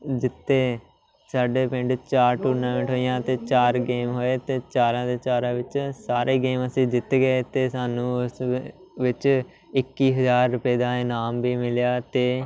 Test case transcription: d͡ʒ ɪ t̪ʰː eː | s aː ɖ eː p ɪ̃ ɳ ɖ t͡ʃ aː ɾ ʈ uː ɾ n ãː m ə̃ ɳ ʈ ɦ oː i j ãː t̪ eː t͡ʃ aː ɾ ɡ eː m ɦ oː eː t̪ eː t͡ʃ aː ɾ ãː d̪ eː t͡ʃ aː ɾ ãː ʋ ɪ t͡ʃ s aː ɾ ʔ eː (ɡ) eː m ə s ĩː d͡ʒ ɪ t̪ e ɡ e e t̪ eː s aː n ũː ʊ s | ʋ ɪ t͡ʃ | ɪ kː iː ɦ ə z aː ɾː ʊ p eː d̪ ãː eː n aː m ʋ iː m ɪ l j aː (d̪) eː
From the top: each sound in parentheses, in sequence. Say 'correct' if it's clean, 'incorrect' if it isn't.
correct, incorrect

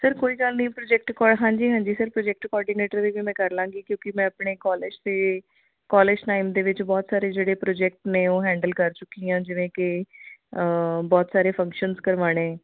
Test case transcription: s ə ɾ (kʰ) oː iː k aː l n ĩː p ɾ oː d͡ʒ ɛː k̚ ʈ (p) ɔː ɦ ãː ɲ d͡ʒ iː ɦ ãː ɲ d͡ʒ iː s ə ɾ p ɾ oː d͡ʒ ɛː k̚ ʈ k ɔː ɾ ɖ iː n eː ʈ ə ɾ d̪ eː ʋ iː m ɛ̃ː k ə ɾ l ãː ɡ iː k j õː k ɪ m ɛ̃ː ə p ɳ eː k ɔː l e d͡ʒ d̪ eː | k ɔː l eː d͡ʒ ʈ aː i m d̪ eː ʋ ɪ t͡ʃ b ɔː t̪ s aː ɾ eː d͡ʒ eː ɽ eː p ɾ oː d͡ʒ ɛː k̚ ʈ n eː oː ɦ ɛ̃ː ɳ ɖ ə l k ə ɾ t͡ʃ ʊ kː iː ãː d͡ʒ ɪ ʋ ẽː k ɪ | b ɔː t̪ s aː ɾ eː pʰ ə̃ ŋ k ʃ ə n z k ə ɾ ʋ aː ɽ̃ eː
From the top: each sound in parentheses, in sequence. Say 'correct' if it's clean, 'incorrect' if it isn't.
incorrect, incorrect

